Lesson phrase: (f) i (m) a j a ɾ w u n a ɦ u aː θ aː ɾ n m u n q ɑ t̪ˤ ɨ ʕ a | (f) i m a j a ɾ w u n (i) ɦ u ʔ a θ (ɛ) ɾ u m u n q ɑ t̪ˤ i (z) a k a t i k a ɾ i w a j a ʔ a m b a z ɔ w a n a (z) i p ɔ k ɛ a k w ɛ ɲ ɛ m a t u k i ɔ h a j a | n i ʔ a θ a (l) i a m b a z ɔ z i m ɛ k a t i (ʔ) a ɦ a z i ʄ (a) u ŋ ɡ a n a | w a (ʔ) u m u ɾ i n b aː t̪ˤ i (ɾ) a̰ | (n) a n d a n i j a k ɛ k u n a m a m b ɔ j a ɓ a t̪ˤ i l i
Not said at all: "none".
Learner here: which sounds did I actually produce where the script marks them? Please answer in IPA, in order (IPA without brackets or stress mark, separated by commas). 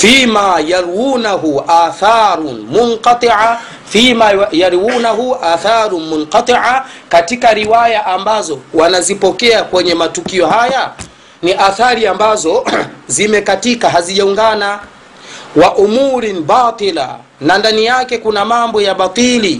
f, m, f, a, a, ʕ, z, ɾ, k, a, ʔ, l, n